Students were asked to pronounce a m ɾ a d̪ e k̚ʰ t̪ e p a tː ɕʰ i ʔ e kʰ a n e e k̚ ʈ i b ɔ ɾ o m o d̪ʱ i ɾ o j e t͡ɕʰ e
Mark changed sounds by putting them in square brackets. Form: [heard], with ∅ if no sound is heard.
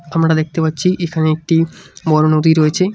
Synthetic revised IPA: a m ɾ a d̪ e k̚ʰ t̪ e p a tː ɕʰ i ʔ e kʰ a n e e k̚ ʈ i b ɔ ɾ o [n] o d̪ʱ i ɾ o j e t͡ɕʰ e